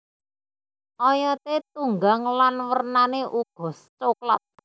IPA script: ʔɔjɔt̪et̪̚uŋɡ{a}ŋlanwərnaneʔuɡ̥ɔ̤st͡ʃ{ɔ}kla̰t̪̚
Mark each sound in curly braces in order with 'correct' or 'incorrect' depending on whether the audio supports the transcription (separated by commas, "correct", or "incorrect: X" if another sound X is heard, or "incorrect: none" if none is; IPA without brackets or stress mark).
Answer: correct, incorrect: o